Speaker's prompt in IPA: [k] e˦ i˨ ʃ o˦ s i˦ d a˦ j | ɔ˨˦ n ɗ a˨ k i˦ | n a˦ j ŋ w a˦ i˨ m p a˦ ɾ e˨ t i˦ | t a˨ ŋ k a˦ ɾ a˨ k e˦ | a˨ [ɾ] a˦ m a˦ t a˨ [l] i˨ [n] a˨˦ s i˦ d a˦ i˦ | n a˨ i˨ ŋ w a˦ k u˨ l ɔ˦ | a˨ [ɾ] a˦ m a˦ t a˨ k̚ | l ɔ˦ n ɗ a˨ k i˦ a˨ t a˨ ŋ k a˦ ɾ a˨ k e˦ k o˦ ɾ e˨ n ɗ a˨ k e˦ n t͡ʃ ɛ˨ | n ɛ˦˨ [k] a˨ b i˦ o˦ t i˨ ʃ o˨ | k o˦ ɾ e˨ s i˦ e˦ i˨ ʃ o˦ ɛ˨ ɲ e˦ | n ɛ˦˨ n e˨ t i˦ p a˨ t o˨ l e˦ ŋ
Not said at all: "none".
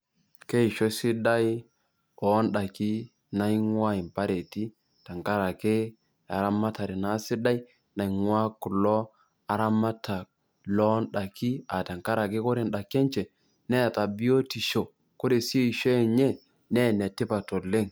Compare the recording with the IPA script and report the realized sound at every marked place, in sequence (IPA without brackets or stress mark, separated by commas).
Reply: k, ɾ, ɾ, n, ɾ, t